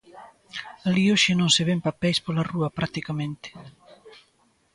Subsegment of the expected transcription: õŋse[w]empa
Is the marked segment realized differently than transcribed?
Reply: yes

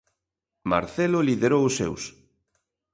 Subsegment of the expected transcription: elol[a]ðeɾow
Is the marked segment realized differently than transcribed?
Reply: yes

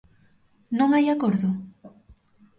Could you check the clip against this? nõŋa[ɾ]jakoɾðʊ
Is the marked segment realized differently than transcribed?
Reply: yes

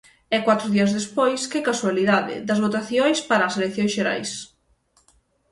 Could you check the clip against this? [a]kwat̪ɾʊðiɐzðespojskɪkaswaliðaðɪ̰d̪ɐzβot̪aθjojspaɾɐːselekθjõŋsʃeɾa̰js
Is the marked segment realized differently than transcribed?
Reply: yes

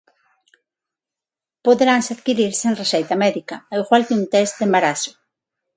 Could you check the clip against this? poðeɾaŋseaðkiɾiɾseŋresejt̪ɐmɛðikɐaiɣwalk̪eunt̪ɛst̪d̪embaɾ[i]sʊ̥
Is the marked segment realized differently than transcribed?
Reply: yes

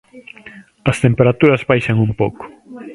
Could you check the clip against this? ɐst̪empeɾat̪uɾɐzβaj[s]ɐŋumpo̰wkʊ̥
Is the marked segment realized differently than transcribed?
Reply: yes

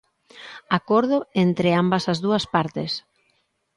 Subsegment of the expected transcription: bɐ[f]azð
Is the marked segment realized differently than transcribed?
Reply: yes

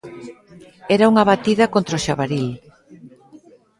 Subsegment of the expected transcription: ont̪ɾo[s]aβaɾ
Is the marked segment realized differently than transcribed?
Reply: yes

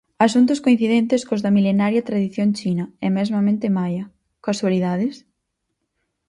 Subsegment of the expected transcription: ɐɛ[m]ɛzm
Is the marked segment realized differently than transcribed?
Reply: no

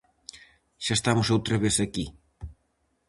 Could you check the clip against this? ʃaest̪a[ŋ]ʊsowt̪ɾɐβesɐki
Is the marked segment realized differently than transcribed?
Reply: yes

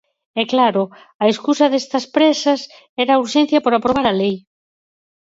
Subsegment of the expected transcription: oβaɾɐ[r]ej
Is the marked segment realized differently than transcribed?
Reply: yes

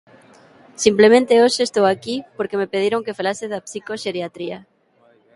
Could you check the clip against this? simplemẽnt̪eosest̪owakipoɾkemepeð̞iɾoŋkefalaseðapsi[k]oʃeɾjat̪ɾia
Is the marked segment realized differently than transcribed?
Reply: no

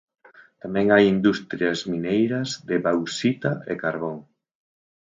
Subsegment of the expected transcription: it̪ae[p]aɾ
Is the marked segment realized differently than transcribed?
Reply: yes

